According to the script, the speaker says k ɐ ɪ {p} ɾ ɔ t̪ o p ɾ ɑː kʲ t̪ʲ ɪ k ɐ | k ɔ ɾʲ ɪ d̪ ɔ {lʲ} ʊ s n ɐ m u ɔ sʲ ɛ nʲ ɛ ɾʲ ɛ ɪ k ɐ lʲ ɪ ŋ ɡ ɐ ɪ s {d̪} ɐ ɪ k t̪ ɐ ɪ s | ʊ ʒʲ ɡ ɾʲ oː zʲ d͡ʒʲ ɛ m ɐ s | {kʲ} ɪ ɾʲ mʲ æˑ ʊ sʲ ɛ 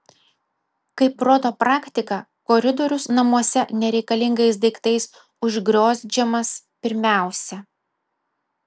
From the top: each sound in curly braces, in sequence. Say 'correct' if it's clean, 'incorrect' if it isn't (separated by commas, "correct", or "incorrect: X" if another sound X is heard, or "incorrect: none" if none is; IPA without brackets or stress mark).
correct, incorrect: ɾʲ, correct, incorrect: pʲ